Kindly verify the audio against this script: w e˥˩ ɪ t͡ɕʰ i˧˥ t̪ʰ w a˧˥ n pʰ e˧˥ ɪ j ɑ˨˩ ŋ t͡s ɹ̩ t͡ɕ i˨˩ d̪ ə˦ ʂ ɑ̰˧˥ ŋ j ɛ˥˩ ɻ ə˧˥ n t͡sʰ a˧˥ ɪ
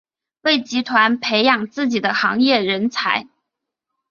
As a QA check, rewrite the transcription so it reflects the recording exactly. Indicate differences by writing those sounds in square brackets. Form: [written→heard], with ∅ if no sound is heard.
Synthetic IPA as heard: w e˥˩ ɪ [t͡ɕʰ→t͡ɕ] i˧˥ t̪ʰ w a˧˥ n pʰ e˧˥ ɪ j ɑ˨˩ ŋ t͡s ɹ̩ t͡ɕ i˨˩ d̪ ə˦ [ʂ→x] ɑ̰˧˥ ŋ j ɛ˥˩ ɻ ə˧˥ n t͡sʰ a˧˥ ɪ